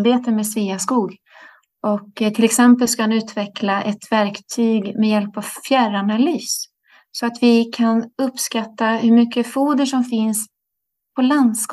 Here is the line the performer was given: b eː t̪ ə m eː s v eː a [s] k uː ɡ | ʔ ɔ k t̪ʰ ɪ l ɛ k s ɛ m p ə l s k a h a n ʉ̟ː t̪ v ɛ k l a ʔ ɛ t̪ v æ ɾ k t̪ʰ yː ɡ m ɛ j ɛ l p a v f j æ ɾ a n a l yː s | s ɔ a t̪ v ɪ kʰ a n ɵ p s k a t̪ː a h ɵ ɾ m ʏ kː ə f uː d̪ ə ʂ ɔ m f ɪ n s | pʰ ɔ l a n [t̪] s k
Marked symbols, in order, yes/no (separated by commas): yes, no